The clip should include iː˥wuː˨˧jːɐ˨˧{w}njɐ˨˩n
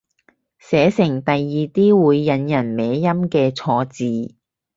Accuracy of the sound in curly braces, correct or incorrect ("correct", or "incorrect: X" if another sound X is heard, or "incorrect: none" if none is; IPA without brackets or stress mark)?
incorrect: none